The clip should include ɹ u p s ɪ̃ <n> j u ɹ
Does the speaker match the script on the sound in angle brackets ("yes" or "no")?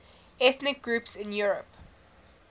yes